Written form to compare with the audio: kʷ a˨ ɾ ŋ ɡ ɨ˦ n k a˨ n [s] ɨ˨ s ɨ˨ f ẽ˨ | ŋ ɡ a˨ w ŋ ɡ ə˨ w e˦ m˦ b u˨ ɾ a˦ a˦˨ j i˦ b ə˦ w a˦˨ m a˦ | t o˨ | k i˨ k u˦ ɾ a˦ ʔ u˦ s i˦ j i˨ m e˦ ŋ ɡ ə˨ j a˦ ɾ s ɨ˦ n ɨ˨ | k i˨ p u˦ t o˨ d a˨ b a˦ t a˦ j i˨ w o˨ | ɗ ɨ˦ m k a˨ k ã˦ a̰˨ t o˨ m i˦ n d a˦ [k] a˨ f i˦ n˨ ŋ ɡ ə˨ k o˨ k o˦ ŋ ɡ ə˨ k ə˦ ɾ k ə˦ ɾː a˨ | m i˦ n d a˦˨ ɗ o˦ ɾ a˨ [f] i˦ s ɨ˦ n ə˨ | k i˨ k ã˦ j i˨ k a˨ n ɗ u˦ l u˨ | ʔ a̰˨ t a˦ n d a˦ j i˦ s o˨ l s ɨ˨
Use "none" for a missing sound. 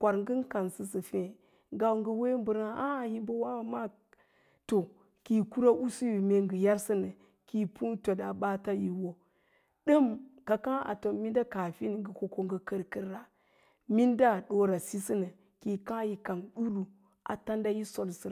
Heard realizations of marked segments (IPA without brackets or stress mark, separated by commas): s, k, s